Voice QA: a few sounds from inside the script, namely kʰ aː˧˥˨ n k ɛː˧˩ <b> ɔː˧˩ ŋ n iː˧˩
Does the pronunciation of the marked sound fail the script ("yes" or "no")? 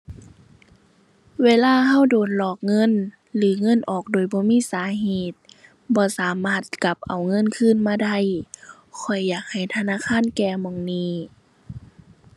yes